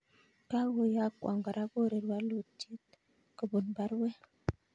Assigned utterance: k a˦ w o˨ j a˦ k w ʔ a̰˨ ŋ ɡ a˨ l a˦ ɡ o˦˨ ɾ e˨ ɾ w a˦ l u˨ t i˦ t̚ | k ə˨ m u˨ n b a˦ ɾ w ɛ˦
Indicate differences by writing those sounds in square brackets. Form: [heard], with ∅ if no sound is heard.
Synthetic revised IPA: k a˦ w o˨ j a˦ k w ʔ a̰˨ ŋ ɡ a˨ [ɾ] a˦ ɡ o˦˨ ɾ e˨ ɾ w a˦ l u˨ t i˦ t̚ | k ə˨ [b] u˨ n b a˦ ɾ w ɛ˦